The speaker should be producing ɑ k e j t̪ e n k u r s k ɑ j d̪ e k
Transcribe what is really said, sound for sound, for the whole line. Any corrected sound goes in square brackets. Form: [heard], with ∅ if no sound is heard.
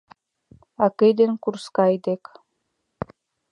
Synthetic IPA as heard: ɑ k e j [d̪] e n k u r s k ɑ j d̪ e k